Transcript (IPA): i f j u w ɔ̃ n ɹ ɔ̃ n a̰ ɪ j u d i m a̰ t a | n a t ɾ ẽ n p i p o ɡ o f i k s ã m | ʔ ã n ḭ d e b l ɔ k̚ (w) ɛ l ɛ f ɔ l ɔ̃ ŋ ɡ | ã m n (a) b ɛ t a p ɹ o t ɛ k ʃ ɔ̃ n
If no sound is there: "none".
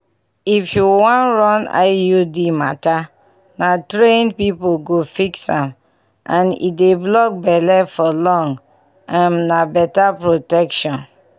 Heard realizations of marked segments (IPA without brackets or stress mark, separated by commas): b, a